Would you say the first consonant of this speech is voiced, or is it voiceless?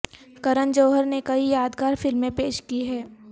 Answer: voiceless